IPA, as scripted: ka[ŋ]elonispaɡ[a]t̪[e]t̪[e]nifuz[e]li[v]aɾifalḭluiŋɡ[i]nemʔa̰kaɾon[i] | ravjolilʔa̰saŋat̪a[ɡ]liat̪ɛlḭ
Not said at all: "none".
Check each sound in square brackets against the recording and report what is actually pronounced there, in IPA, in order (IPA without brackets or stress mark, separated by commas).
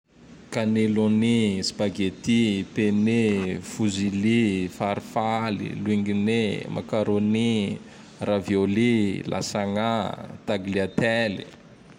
n, e, i, e, i, f, i, i, ɡ